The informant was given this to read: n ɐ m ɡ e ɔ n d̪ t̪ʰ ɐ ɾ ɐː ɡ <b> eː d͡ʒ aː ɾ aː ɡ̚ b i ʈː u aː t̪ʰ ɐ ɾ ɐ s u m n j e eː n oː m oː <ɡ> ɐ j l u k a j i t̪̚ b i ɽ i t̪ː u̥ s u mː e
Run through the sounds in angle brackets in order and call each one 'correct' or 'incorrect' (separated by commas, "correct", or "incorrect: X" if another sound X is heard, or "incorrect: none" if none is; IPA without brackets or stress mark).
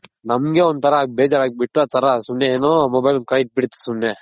correct, incorrect: b